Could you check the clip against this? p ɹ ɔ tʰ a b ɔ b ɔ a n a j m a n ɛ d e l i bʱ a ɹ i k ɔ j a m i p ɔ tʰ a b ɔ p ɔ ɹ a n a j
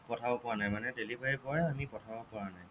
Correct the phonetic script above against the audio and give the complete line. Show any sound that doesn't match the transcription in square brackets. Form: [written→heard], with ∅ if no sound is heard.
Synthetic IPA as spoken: p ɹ ɔ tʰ a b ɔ [b→p] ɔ a n a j m a n ɛ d e l i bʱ a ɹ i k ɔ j a m i p ɔ tʰ a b ɔ p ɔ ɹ a n a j